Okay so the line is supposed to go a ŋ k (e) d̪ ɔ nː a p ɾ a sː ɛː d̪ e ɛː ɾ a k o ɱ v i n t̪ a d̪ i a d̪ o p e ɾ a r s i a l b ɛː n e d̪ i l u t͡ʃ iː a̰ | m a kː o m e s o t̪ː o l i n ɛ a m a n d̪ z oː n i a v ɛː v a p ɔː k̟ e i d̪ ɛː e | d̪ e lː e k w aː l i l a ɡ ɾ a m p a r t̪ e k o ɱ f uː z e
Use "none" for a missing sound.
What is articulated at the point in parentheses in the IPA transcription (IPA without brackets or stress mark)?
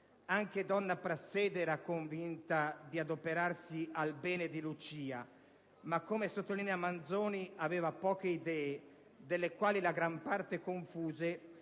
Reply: e